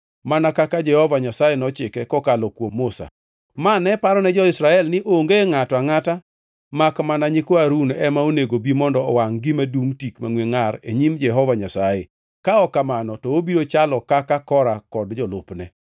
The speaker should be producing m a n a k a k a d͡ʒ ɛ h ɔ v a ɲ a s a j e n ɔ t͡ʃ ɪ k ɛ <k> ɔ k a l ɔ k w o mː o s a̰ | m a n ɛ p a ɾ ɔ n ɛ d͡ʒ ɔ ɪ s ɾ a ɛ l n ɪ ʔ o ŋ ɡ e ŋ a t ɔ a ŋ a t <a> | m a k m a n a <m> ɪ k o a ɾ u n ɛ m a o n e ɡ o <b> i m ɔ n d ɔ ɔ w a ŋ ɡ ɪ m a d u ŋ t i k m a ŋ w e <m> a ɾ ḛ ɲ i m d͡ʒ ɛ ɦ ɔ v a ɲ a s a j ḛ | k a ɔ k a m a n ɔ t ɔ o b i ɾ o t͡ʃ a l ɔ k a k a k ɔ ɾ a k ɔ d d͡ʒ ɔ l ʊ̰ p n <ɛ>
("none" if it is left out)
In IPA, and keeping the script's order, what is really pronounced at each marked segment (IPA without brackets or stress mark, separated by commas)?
k, a, ɲ, b, ŋ, ɛ